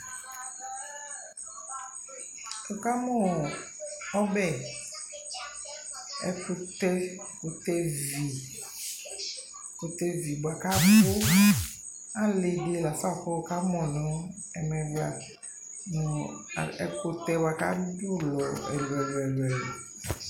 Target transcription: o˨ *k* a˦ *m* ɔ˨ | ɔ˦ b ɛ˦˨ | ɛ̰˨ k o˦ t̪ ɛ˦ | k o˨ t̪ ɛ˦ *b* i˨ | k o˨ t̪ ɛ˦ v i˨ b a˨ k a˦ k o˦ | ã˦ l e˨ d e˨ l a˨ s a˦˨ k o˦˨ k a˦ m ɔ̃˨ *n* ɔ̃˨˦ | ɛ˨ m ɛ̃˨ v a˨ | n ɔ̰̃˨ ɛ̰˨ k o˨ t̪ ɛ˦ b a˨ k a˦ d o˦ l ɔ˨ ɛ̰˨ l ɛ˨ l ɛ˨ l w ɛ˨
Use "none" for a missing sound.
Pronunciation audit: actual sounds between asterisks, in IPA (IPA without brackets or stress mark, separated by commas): k, m, v, n